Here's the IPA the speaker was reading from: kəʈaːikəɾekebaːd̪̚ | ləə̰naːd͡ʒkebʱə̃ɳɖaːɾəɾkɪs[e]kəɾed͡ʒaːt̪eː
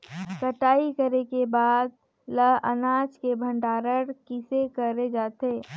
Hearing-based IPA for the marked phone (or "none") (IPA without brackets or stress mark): e